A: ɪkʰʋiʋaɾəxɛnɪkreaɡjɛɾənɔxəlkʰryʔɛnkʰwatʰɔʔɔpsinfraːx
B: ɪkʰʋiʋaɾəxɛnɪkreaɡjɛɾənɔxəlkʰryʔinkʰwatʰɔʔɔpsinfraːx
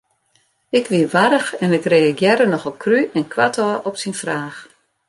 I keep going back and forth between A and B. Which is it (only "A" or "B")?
A